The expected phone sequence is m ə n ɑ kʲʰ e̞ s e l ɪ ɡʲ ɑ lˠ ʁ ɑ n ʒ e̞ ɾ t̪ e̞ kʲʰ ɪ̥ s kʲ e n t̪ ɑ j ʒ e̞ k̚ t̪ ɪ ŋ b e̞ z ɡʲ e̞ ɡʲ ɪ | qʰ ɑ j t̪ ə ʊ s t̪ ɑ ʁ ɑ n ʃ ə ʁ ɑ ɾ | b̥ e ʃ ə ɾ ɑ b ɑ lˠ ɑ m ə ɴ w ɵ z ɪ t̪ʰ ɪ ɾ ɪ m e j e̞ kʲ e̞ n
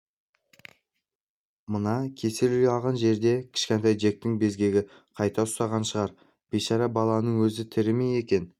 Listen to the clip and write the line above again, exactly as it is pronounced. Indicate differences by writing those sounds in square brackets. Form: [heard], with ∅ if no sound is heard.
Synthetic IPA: m ə n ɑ kʲʰ e̞ s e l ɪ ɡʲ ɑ lˠ ʁ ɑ n ʒ e̞ ɾ [d̪] e̞ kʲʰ ɪ̥ [ʃ] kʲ e n t̪ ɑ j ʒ e̞ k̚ t̪ ɪ ŋ b e̞ z ɡʲ e̞ ɡʲ ɪ | qʰ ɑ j t̪ [ɑ] ʊ s t̪ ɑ ʁ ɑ n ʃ ə ʁ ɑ ɾ | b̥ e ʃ [ɑ] ɾ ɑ b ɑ lˠ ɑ [n] ə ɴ w ɵ z ɪ t̪ʰ ɪ ɾ ɪ m e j e̞ kʲ e̞ n